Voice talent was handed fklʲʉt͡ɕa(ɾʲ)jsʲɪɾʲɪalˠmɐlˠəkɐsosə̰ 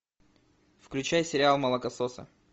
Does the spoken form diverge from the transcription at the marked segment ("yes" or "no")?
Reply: yes